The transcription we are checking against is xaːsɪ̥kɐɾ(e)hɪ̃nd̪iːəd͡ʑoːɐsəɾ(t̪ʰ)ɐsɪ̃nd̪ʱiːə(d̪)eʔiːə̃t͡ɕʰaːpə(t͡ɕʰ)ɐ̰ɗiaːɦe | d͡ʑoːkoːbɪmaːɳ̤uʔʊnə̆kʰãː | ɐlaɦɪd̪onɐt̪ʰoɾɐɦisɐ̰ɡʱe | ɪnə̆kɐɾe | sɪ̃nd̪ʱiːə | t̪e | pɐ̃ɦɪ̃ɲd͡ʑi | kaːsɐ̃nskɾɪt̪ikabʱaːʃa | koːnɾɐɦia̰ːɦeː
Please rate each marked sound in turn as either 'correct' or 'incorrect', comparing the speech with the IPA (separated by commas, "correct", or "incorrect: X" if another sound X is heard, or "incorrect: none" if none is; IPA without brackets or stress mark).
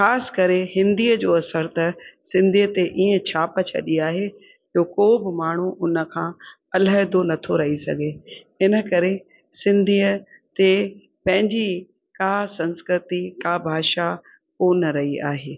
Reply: correct, incorrect: t̪, incorrect: t̪, correct